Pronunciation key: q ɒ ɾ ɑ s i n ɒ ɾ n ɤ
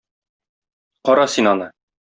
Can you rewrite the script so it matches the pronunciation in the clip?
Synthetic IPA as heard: q ɒ ɾ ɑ s i n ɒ n ɤ